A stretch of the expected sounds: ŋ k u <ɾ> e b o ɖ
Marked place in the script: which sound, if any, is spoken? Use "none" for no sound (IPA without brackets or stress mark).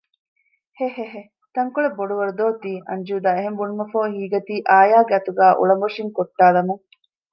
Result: ɭ